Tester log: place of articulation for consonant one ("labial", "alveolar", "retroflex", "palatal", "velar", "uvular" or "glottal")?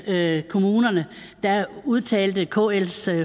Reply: velar